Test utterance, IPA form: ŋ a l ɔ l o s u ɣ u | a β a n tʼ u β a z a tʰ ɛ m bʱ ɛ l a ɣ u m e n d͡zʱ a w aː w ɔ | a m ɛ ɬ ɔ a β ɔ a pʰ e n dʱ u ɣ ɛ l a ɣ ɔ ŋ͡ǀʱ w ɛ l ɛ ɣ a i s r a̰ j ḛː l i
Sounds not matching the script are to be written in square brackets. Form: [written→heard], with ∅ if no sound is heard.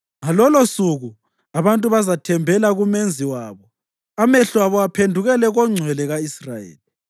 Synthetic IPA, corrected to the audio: ŋ a l ɔ l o s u ɣ u | a β a n tʼ u β a z a tʰ ɛ m bʱ ɛ l a ɣ u m e n d͡zʱ [a→i] w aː [w→β] ɔ | a m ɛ ɬ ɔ a β ɔ a pʰ e n dʱ u ɣ ɛ l [a→ɛ] ɣ ɔ ŋ͡ǀʱ w ɛ l ɛ ɣ a i s r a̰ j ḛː l i

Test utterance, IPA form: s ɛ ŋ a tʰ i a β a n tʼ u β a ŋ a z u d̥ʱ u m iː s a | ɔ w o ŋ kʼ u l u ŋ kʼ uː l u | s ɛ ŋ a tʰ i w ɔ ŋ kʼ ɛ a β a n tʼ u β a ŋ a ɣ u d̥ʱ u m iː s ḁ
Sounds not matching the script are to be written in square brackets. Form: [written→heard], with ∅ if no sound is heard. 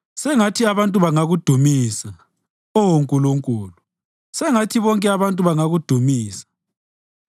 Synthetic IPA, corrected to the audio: s ɛ ŋ a tʰ i a β a n tʼ u β a ŋ a [z→ɣ] u d̥ʱ u m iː s a | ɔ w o ŋ kʼ u l u ŋ kʼ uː l u | s ɛ ŋ a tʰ i [w→β] ɔ ŋ kʼ ɛ a β a n tʼ u β a ŋ a ɣ u d̥ʱ u m iː s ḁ

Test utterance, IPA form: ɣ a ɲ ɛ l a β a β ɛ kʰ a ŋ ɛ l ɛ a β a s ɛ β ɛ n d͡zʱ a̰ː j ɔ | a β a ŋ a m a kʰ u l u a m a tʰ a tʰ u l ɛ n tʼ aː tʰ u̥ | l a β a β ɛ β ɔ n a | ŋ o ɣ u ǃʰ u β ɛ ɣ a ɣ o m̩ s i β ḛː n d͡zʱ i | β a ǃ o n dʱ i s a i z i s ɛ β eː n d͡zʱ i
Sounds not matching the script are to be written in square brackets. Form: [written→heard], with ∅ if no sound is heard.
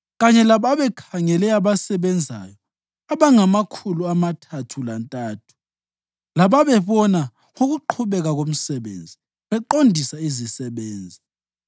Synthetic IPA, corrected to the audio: ɣ a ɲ ɛ l a β a β ɛ kʰ a ŋ ɛ l ɛ a β a s ɛ β ɛ n d͡zʱ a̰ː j ɔ | a β a ŋ a m a kʰ u l u a m a tʰ a tʰ u l [ɛ→a] n tʼ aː tʰ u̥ | l a β a β ɛ β ɔ n a | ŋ o ɣ u ǃʰ u β ɛ ɣ a ɣ o m̩ s [i→ɛ] β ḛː n d͡zʱ i | β [a→ɛ] ǃ o n dʱ i s a i z i s ɛ β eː n d͡zʱ i

